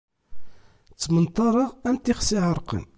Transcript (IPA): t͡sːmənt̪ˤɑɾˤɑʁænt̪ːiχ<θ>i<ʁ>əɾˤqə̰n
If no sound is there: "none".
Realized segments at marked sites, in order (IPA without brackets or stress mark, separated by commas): s, ʕ